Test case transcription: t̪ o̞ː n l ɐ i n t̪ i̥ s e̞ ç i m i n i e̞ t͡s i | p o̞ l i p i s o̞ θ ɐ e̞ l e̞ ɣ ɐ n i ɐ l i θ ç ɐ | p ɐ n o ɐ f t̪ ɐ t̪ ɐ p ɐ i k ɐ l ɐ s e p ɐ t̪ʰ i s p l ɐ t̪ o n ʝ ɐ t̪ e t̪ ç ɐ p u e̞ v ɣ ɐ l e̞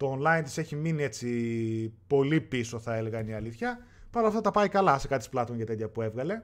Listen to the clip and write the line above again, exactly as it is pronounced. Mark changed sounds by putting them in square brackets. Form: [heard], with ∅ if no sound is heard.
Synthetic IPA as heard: t̪ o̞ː n l ɐ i n t̪ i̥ s e̞ ç i m i n i e̞ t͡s i | p o̞ l i p i s o̞ θ ɐ e̞ l e̞ ɣ ɐ n i ɐ l i θ ç ɐ | p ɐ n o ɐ f t̪ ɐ t̪ ɐ p ɐ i k ɐ l ɐ s e [k] ɐ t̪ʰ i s p l ɐ t̪ o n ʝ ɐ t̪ e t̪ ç ɐ p u e̞ v ɣ ɐ l e̞